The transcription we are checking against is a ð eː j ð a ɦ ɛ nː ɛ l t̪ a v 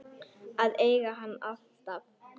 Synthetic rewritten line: a ð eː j ɣ a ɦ a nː a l t̪ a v